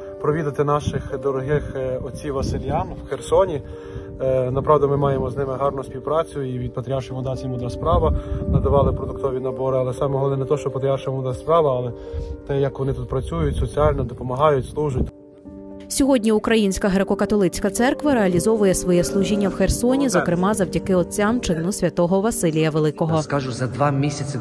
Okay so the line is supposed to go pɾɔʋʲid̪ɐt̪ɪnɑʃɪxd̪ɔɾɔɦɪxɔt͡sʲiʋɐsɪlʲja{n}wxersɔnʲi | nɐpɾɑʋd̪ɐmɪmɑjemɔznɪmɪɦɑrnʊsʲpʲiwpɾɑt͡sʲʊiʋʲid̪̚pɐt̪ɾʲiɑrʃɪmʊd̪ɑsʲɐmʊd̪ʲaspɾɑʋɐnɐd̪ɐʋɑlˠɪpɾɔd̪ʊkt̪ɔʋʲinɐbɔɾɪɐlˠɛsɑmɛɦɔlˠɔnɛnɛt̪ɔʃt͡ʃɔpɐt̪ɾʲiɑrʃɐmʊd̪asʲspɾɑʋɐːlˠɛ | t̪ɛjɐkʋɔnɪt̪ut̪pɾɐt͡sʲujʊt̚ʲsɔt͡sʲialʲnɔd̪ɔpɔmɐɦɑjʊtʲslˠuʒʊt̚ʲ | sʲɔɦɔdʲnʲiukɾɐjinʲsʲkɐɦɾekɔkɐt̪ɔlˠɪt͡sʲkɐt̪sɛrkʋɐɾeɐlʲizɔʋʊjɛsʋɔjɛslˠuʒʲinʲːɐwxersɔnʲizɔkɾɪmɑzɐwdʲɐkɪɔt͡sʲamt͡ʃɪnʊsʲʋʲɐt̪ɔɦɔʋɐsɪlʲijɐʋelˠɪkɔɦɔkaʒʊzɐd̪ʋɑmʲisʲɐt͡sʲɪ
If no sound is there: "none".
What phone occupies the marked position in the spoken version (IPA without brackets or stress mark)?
m